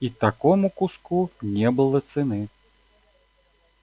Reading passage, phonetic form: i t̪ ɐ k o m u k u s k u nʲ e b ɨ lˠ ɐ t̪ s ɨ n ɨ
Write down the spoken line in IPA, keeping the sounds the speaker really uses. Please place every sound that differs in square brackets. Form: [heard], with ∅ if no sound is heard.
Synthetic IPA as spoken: i t̪ [a] k [ɔ] m u k u s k u nʲ [ɛ] b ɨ lˠ ɐ t̪ s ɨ n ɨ

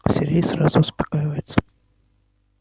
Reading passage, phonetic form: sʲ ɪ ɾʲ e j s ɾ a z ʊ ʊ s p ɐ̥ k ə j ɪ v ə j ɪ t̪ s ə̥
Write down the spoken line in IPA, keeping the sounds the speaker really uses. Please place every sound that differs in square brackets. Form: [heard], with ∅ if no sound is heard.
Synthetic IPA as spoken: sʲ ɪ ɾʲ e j s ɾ a z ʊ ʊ s p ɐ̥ k [a] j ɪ v ə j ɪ t̪ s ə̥

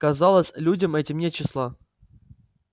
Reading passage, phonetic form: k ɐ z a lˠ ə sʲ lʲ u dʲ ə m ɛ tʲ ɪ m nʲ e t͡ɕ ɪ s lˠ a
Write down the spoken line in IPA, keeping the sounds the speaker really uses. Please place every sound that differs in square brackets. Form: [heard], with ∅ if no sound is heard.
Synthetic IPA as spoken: k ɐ z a lˠ ə sʲ lʲ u dʲ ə m ɛ tʲ ɪ m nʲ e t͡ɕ ɪ s lˠ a

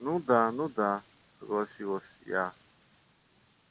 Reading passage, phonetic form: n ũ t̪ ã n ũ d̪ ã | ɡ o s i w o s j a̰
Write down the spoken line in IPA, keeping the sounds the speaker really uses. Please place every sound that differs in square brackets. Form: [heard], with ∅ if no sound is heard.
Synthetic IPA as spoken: n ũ [d̪] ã n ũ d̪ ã | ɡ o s i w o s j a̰

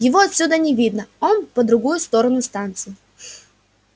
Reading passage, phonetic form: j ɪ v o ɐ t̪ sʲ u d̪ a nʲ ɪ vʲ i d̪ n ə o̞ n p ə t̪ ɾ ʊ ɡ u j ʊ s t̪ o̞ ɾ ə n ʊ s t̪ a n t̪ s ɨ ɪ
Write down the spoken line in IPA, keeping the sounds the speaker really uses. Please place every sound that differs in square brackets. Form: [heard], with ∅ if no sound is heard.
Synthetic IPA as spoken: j ɪ v o ɐ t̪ sʲ u d̪ [ə] nʲ ɪ vʲ i d̪ n ə o̞ n p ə [d̪] ɾ ʊ ɡ u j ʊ s t̪ o̞ ɾ ə n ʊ s t̪ a n t̪ s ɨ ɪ

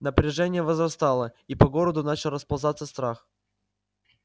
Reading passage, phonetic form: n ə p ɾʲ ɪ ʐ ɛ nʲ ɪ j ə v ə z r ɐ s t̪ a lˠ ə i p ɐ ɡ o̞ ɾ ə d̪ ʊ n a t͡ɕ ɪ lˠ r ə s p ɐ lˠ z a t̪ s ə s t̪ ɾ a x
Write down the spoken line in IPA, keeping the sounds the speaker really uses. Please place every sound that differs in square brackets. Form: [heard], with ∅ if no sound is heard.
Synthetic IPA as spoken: n ə p ɾʲ ɪ ʐ ɛ nʲ ɪ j ə v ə z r ɐ s t̪ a lˠ ə i p ɐ ɡ o̞ ɾ ə d̪ ʊ n a t͡ɕ ɪ lˠ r ə s p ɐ lˠ z a t̪ s ə s t̪ ɾ a x

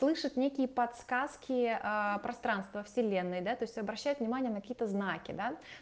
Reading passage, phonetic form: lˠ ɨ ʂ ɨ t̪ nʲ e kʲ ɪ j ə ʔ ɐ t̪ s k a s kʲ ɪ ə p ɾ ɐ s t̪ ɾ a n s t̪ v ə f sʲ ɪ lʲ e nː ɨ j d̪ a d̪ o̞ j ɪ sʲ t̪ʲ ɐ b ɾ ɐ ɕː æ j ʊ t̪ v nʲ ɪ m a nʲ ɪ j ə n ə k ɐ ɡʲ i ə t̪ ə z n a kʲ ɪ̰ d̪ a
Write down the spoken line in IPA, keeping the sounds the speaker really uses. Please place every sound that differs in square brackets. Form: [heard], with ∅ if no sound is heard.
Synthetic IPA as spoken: lˠ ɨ ʂ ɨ t̪ nʲ e kʲ ɪ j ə [p] ɐ t̪ s k a s kʲ ɪ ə p ɾ ɐ s t̪ ɾ a n s t̪ v ə f sʲ ɪ lʲ e nː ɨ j d̪ a [t̪] o̞ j ɪ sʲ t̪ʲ ɐ b ɾ ɐ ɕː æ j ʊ t̪ v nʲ ɪ m a nʲ ɪ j ə n ə k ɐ [kʲ] i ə t̪ ə z n a kʲ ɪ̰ d̪ a

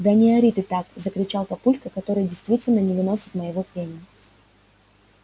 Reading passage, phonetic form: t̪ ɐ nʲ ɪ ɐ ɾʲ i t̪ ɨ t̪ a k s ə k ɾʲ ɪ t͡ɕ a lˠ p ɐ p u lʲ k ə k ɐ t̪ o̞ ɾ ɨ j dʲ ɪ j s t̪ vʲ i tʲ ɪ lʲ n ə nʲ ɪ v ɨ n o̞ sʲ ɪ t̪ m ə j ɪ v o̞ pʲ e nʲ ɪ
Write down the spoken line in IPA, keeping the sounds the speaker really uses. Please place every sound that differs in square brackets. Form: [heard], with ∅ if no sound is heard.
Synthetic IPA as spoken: [d̪] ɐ nʲ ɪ ɐ ɾʲ i t̪ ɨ t̪ a k [z] ə k ɾʲ ɪ t͡ɕ a lˠ p ɐ p u lʲ k ə k ɐ t̪ o̞ ɾ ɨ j dʲ ɪ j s t̪ vʲ i tʲ ɪ lʲ n ə nʲ ɪ v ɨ n o̞ sʲ ɪ t̪ m ə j ɪ v o̞ pʲ e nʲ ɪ

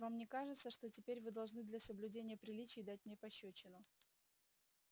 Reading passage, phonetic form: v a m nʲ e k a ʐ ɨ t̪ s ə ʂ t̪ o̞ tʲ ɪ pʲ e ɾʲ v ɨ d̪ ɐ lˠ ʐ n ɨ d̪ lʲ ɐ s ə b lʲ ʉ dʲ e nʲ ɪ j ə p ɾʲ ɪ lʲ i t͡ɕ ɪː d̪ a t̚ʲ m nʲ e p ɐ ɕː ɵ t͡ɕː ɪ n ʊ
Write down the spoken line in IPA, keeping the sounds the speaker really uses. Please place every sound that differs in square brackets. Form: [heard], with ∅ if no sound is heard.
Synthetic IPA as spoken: v a m nʲ e k a ʐ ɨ t̪ s ə ʂ t̪ o̞ tʲ ɪ pʲ e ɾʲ v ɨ d̪ ɐ lˠ ʐ n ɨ d̪ lʲ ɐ s ə b lʲ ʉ dʲ e nʲ ɪ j ə p ɾʲ ɪ lʲ i t͡ɕ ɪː d̪ a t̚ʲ m nʲ e p ɐ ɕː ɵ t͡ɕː ɪ n ʊ

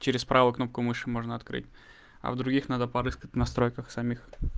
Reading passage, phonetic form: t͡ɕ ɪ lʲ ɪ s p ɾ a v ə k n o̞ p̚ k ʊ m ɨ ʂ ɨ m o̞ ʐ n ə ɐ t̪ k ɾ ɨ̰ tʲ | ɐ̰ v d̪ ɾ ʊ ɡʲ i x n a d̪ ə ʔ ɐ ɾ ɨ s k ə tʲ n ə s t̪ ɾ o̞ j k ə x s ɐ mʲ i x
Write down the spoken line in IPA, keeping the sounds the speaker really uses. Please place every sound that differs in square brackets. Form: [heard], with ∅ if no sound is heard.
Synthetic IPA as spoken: t͡ɕ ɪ [ɾʲ] ɪ s p ɾ a v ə k n o̞ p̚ k ʊ m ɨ ʂ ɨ m o̞ ʐ n ə ɐ t̪ k ɾ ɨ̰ tʲ | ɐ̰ v d̪ ɾ ʊ ɡʲ i x n a d̪ ə [p] ɐ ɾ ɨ s k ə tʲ n [ɐ] s t̪ ɾ o̞ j k ə x s ɐ mʲ i x

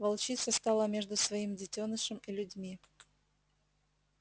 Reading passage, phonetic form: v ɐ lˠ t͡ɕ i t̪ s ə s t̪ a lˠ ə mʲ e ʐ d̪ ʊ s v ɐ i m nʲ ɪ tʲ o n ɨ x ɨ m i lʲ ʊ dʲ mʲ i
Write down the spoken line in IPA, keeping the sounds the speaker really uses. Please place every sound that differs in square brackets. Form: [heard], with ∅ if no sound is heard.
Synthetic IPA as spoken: v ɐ lˠ t͡ɕ i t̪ s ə s t̪ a lˠ ə mʲ e ʐ d̪ ʊ s v ɐ i m [dʲ] ɪ tʲ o n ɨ [ʂ] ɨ m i lʲ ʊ dʲ mʲ i

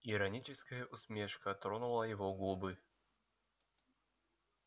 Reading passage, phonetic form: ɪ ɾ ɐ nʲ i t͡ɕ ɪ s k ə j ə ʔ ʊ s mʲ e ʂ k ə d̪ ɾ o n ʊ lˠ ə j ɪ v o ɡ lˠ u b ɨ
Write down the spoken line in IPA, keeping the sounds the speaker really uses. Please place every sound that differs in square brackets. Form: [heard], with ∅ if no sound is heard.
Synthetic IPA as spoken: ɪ ɾ ɐ nʲ i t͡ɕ ɪ s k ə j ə ʔ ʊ s mʲ e ʂ k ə [t̪] ɾ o n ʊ lˠ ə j ɪ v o ɡ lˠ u b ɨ

